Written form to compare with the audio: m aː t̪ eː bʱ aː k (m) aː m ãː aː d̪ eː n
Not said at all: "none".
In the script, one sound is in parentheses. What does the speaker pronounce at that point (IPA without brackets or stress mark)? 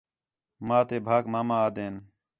m